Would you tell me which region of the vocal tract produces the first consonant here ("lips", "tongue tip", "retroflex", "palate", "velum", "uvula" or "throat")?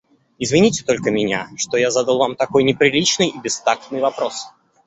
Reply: tongue tip